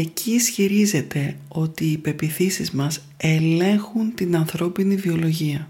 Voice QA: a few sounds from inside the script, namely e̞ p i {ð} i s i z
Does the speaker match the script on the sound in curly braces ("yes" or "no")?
no